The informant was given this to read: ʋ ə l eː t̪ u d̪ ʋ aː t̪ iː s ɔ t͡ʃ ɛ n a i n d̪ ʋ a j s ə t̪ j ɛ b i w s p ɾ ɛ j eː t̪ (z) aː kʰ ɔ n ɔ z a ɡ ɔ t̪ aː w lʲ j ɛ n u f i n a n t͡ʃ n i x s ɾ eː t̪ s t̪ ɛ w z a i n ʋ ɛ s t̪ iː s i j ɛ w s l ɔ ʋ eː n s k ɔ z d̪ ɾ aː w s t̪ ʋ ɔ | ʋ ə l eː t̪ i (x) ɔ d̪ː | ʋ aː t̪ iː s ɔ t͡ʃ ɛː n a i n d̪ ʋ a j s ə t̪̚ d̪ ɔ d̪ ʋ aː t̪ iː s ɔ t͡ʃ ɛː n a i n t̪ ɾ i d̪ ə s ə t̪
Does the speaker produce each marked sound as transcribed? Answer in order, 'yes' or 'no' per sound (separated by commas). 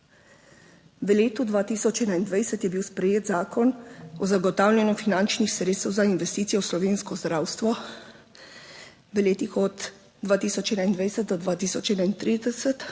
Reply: yes, yes